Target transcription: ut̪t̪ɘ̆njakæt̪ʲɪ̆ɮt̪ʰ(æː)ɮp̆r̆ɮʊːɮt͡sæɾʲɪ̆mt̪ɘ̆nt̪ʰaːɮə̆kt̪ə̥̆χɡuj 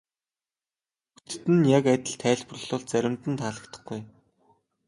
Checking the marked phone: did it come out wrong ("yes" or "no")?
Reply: no